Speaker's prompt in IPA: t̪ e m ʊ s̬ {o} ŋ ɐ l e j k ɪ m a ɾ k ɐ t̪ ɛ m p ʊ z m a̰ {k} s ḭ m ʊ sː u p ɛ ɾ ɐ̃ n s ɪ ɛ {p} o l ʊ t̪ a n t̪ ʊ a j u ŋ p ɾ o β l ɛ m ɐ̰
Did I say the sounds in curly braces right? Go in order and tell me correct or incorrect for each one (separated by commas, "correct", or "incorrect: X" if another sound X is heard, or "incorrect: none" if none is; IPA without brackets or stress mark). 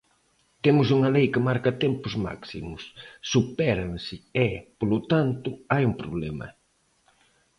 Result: incorrect: u, correct, correct